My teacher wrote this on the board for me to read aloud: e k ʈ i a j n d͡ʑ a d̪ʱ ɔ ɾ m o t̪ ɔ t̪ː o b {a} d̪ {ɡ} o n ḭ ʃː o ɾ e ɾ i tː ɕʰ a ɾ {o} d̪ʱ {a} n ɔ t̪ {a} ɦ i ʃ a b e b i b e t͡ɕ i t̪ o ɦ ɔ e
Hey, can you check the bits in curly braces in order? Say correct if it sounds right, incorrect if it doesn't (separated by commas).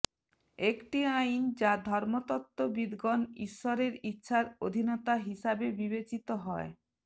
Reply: incorrect, correct, correct, incorrect, correct